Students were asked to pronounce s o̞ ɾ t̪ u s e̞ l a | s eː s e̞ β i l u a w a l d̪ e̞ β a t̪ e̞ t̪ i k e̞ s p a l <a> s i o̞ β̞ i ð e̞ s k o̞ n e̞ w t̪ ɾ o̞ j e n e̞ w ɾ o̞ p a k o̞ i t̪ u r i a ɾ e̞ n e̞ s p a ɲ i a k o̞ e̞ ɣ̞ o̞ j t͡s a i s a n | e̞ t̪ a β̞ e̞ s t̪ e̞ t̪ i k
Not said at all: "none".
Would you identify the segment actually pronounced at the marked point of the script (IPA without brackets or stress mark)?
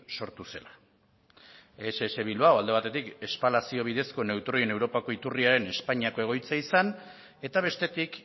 a